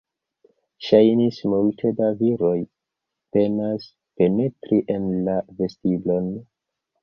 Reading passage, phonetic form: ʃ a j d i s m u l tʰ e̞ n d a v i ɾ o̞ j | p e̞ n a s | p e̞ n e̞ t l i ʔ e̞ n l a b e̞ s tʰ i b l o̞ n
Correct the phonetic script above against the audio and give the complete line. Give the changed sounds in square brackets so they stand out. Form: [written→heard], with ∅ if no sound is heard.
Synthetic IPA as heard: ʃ a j [d→n] i s m u l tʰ e̞ [n→∅] d a v i ɾ o̞ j | p e̞ n a s | p e̞ n e̞ t [l→ɾ] i ʔ e̞ n l a [b→v] e̞ s [tʰ→t] i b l o̞ n